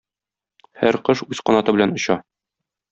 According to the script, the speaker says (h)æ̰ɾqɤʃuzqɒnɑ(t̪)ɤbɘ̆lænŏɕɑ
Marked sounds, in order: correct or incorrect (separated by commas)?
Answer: correct, correct